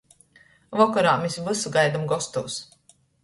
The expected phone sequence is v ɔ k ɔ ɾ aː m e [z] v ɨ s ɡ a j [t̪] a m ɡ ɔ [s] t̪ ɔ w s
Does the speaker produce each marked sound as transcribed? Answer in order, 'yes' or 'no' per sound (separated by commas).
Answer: no, no, yes